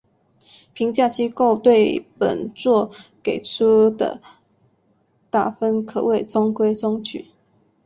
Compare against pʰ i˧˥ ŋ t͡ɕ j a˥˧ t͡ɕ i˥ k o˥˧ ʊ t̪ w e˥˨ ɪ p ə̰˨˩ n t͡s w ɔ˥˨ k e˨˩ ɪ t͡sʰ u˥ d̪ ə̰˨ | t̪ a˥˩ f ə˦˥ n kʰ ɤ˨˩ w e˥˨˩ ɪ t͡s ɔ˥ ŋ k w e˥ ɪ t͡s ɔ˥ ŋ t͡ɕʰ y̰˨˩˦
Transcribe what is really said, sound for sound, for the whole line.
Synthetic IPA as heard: pʰ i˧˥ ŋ t͡ɕ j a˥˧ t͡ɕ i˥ k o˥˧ ʊ t̪ w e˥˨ ɪ p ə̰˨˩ n t͡s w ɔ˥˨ k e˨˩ ɪ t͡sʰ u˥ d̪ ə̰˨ | t̪ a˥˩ f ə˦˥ n kʰ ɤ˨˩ w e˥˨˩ ɪ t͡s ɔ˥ ŋ k w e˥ ɪ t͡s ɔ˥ ŋ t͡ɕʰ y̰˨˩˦

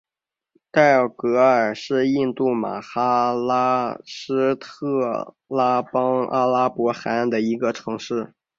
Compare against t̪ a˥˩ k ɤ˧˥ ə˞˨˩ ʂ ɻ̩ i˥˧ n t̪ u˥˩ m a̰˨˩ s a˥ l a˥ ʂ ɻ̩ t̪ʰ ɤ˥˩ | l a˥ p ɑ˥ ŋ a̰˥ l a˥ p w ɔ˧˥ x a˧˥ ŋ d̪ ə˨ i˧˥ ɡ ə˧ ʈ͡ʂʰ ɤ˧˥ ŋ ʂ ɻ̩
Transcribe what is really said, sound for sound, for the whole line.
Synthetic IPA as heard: t̪ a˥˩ k ɤ˧˥ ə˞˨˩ ʂ ɻ̩ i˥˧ n t̪ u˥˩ m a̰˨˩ x a˥ l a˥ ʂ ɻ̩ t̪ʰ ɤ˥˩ | l a˥ p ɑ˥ ŋ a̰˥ l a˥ p w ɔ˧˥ x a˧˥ n d̪ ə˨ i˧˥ ɡ ə˧ ʈ͡ʂʰ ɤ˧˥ ŋ ʂ ɻ̩

